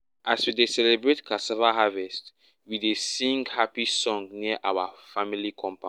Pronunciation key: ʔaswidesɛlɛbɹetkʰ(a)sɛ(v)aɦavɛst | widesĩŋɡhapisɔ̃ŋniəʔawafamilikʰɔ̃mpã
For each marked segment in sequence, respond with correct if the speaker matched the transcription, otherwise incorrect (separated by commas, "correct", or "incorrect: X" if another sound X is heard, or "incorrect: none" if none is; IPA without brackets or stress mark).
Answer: correct, correct